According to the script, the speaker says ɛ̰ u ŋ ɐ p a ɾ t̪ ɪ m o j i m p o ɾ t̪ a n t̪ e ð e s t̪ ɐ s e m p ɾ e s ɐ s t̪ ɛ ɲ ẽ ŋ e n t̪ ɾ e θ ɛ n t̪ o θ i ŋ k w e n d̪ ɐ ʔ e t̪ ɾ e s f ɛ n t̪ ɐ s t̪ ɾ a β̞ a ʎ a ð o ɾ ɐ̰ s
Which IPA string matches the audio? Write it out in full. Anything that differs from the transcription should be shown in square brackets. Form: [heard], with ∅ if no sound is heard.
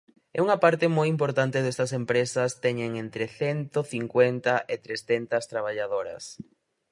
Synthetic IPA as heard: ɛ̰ u ŋ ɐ p a ɾ t̪ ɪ m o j i m p o ɾ t̪ a n t̪ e ð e s t̪ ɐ s e m p ɾ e s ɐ s t̪ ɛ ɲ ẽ ŋ e n t̪ ɾ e θ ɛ n t̪ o θ i ŋ k w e n [t̪] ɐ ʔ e t̪ ɾ e s [θ] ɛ n t̪ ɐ s t̪ ɾ a β̞ a ʎ a ð o ɾ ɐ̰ s